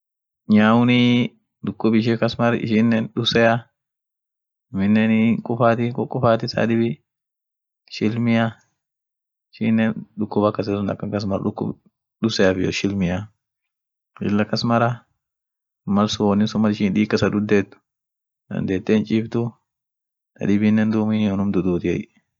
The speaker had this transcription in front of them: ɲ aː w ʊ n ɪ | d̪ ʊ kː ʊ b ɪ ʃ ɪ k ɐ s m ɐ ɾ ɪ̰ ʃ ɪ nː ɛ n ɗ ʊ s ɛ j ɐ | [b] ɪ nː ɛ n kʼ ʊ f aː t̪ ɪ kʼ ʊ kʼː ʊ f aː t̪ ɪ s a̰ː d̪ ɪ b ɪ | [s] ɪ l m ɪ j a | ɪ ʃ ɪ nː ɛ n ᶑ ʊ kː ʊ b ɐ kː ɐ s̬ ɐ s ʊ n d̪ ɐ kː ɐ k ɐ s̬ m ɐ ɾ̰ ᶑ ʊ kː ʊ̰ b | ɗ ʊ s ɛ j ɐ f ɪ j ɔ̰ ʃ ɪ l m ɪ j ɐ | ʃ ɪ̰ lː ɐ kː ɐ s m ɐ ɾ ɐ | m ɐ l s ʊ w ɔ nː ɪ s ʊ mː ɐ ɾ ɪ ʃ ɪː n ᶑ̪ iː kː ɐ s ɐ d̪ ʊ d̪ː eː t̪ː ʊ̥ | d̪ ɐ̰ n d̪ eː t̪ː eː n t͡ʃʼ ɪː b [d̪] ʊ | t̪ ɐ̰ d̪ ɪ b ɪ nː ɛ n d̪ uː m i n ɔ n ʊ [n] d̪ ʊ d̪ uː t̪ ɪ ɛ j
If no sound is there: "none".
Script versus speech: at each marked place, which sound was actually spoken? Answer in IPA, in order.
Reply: m, ʃ, t̪, m

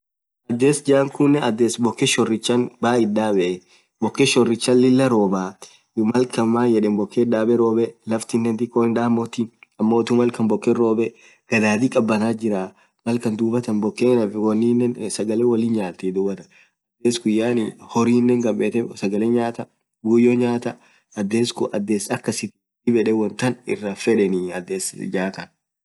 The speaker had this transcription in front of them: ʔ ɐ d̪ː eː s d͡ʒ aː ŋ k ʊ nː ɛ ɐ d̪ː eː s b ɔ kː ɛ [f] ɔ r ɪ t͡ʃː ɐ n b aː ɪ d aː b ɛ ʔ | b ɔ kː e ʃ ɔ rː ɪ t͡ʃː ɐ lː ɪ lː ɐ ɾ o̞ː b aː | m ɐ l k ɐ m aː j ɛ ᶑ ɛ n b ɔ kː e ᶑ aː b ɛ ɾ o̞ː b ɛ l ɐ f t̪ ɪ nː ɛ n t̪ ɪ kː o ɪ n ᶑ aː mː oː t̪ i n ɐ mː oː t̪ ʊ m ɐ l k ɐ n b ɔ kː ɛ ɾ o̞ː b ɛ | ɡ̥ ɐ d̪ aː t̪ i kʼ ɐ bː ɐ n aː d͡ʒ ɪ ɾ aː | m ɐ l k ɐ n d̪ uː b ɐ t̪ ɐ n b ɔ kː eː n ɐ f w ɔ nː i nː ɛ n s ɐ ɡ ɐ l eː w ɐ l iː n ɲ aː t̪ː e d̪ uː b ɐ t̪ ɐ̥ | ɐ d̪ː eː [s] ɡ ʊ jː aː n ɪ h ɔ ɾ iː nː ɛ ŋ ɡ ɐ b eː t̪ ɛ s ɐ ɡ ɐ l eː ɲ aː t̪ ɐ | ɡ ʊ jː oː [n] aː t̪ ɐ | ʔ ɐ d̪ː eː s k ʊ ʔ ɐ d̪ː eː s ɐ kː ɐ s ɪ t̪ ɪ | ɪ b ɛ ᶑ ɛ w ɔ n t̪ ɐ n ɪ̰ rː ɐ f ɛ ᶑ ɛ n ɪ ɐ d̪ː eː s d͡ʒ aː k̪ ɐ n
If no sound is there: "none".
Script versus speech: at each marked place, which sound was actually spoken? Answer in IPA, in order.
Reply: ʃ, s, ɲ

